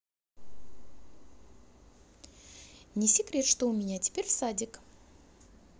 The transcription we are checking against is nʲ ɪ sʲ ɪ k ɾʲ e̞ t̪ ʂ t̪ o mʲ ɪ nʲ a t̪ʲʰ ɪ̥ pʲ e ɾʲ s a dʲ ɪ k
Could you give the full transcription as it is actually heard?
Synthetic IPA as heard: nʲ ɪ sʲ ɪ k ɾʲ e̞ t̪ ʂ t̪ o mʲ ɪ nʲ a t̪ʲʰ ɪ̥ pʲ e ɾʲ s a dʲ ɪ k